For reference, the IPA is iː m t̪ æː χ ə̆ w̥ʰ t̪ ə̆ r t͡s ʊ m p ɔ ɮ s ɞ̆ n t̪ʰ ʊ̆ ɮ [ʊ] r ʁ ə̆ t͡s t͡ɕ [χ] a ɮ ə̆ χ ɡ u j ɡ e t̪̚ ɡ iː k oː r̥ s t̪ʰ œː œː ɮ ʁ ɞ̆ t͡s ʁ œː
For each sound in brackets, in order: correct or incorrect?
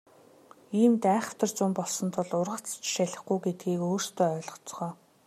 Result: correct, incorrect

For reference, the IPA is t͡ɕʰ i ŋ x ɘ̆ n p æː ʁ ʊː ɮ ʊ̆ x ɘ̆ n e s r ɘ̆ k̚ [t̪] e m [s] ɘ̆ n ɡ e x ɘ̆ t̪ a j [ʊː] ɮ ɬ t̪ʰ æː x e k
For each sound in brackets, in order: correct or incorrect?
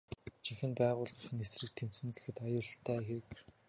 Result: incorrect, correct, correct

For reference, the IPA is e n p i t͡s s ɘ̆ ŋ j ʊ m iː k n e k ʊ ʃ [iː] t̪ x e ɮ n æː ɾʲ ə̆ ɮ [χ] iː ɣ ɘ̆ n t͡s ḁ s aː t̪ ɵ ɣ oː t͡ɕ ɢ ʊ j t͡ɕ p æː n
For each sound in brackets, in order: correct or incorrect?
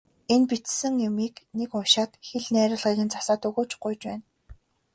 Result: incorrect, incorrect

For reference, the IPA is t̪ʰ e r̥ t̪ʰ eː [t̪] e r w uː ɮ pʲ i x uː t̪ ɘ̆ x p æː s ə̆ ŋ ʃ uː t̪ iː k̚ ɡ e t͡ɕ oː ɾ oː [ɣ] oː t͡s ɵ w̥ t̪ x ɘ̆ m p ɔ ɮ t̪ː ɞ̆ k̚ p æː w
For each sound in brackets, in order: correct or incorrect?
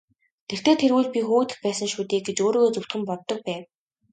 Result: incorrect, correct

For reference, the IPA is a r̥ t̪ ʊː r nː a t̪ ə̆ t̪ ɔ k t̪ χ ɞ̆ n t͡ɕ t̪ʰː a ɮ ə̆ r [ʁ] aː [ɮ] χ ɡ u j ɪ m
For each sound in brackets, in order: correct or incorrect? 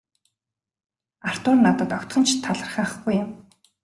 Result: incorrect, incorrect

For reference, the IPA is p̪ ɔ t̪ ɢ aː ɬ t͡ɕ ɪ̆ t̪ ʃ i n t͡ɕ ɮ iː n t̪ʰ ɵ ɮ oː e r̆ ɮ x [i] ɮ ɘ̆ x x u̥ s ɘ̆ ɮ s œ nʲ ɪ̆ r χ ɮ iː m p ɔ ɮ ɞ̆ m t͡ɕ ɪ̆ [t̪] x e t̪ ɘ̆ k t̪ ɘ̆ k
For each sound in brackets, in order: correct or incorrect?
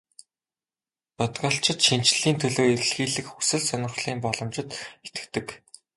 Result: incorrect, correct

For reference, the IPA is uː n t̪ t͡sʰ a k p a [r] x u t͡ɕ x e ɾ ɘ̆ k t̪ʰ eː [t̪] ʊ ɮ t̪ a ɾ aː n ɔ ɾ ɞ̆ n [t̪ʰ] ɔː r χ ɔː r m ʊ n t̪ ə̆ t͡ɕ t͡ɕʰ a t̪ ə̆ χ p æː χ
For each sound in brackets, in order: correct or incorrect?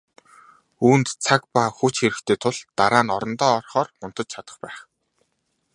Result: incorrect, incorrect, incorrect

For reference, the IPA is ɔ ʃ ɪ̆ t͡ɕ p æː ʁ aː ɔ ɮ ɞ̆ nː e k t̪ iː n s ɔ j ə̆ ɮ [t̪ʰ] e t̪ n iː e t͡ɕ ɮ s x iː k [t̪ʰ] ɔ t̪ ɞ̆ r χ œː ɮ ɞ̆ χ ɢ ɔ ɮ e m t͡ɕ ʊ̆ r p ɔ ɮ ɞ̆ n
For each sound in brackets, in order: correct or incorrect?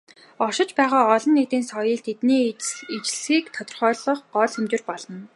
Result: correct, correct

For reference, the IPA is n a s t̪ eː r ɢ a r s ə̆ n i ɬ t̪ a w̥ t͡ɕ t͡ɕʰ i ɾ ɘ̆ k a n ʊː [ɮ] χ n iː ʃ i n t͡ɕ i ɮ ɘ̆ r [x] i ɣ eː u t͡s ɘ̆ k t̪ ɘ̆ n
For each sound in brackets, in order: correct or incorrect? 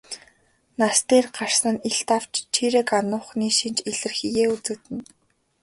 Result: incorrect, correct

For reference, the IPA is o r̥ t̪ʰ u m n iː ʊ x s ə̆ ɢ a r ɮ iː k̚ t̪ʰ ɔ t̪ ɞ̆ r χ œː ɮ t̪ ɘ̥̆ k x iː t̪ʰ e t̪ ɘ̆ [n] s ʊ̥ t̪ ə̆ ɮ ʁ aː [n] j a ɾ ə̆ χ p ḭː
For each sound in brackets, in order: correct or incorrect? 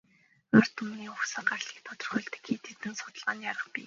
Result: correct, correct

